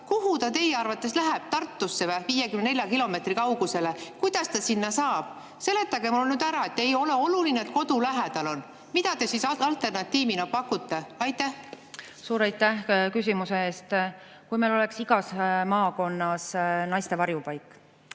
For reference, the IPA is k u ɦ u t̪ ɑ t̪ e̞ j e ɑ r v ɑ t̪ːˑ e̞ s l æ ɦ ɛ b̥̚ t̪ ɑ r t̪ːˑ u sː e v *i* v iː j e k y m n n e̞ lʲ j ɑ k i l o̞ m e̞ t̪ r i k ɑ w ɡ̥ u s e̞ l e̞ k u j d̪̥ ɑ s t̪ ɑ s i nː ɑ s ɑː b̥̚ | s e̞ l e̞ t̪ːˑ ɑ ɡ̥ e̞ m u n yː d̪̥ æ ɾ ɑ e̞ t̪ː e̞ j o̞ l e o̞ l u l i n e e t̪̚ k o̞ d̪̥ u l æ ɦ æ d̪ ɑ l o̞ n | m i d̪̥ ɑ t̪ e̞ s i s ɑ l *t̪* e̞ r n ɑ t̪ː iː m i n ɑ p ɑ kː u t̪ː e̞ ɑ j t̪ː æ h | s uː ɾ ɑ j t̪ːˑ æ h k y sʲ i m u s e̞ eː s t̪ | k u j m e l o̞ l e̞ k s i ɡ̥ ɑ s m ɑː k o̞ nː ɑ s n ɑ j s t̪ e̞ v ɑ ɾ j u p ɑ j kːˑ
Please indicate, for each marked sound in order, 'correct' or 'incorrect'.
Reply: incorrect: æ, correct

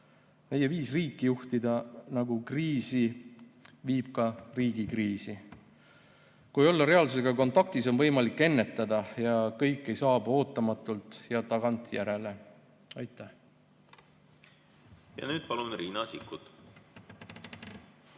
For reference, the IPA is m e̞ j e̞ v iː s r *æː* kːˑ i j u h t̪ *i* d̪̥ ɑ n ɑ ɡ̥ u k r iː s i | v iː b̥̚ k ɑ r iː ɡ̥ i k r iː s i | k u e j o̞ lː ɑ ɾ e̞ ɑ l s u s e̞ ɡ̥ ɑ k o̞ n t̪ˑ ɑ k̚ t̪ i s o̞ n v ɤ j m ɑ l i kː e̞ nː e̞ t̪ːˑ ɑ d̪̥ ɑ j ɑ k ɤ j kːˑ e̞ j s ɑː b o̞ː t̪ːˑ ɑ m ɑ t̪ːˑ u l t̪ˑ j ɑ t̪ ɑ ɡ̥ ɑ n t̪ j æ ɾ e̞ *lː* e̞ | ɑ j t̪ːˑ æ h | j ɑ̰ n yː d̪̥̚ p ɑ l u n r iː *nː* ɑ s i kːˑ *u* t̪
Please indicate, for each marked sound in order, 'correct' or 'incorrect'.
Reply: incorrect: iː, correct, incorrect: l, incorrect: n, correct

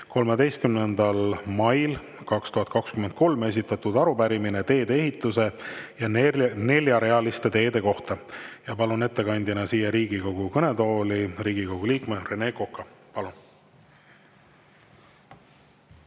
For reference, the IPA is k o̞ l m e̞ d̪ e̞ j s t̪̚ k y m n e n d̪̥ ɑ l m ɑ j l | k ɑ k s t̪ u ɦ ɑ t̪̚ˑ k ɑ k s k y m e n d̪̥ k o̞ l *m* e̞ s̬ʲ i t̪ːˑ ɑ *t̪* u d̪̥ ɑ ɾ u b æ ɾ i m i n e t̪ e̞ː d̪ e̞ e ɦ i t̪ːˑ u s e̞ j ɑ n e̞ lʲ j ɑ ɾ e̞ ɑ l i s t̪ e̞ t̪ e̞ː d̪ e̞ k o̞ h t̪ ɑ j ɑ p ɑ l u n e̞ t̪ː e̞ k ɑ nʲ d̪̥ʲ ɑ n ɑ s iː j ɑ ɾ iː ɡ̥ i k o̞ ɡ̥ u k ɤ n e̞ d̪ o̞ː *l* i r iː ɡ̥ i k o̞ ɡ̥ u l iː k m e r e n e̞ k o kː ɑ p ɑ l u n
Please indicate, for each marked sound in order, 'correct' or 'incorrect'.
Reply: correct, correct, correct

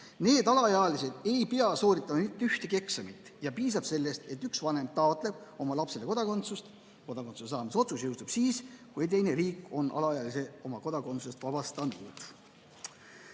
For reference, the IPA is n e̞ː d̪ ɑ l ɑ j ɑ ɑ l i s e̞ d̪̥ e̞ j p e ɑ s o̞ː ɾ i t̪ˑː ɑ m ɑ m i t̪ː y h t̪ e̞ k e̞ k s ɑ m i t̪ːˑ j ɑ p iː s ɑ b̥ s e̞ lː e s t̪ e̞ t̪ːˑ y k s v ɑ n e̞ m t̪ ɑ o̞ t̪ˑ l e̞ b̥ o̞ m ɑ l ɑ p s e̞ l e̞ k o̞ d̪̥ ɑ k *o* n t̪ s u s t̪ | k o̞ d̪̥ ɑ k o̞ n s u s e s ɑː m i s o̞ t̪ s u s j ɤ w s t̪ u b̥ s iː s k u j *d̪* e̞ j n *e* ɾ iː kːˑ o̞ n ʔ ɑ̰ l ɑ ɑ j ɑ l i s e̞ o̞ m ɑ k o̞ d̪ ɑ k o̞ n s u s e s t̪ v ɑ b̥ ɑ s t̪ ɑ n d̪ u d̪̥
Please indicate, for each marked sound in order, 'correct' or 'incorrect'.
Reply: correct, incorrect: t̪, correct

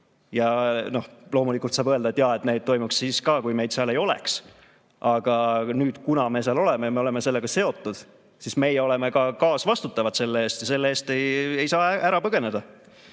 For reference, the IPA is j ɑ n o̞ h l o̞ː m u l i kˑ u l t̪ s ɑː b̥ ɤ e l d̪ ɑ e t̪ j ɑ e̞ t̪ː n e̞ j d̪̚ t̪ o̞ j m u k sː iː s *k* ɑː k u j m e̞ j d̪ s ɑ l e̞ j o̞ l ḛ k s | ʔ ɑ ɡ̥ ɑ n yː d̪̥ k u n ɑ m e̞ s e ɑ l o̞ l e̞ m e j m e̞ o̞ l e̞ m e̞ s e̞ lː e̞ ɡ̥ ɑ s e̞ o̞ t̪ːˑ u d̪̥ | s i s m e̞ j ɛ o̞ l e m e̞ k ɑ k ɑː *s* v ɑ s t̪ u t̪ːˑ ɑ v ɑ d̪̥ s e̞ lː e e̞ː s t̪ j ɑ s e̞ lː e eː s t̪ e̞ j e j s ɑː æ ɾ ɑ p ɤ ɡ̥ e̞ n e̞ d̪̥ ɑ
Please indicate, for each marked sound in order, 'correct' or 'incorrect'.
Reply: correct, correct

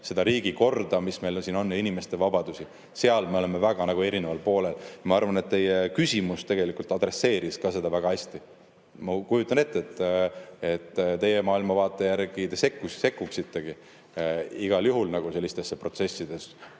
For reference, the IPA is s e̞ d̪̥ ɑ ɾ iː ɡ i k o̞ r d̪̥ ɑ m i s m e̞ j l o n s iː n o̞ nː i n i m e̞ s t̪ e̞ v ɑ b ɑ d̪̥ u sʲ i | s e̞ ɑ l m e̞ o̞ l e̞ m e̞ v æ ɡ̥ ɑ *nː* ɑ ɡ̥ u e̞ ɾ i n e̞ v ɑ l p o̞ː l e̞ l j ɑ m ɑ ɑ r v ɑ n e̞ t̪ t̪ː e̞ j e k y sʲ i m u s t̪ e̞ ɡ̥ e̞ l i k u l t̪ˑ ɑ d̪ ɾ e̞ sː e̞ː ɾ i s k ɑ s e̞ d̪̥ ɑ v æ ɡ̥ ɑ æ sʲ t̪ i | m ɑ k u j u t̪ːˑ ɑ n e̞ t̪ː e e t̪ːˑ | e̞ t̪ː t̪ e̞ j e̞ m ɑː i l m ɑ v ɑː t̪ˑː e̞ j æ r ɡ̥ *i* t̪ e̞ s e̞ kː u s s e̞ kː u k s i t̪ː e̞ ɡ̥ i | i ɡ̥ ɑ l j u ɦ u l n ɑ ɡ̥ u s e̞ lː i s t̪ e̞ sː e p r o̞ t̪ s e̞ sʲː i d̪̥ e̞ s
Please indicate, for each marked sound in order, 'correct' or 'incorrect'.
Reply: incorrect: n, correct

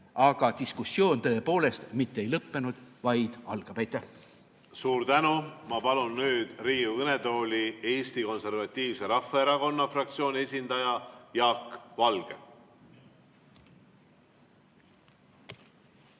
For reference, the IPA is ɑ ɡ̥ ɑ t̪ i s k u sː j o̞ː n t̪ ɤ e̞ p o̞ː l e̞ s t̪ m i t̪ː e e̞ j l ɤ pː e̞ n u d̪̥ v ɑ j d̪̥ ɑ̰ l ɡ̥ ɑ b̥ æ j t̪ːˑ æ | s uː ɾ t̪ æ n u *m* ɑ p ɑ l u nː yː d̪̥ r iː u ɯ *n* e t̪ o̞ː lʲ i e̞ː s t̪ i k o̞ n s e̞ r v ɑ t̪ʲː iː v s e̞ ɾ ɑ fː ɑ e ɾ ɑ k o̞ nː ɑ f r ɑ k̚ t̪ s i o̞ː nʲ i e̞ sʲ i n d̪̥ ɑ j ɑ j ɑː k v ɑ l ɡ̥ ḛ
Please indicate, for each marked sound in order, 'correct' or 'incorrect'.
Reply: correct, correct

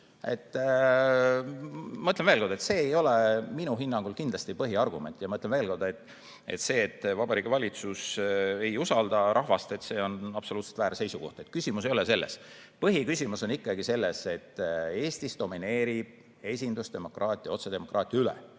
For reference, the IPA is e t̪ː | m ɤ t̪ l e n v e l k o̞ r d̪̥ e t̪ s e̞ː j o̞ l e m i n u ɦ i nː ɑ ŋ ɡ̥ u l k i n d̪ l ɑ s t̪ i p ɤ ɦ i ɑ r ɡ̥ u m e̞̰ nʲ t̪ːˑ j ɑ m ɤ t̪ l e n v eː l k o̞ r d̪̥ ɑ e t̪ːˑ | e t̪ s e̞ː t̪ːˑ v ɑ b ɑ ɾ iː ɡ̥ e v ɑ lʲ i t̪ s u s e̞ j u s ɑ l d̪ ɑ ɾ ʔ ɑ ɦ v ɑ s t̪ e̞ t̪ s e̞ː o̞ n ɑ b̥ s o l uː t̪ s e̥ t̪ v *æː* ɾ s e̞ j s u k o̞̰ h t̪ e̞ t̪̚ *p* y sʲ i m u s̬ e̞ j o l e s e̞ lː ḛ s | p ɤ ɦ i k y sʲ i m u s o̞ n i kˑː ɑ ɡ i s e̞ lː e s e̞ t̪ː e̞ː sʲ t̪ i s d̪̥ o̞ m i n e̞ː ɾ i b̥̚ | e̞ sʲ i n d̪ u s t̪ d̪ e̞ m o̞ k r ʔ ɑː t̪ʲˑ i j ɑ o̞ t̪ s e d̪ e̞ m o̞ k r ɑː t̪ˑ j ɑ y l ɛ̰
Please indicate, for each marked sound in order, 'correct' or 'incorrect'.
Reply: correct, incorrect: k

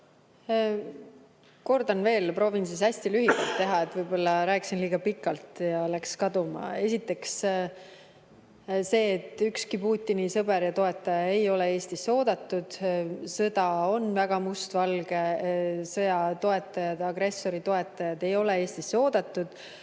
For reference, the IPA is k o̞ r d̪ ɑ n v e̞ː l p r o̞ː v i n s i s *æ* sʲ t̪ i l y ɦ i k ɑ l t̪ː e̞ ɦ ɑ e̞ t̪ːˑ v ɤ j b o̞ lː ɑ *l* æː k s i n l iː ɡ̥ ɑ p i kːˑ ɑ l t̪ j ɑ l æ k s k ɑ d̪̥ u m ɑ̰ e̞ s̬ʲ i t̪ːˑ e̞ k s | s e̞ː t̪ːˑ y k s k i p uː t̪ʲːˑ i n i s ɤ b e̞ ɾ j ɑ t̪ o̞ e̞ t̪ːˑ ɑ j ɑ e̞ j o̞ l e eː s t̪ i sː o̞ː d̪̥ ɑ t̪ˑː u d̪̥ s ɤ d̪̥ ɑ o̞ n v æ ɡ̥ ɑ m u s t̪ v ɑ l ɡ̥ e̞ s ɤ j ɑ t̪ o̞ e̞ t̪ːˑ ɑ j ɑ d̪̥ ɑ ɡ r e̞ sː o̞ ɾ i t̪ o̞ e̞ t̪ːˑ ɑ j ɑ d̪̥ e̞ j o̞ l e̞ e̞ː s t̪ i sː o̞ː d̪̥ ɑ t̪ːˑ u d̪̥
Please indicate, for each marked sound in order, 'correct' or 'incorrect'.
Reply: correct, incorrect: ɾ

